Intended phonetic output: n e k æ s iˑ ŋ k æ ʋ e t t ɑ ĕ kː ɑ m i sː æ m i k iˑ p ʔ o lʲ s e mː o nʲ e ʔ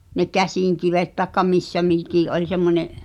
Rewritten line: n e k æ s iˑ ŋ k i ʋ e t t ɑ ĕ kː ɑ m i sː æ m i k iˑ ʔ ʔ o lʲ s e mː o nʲ e ʔ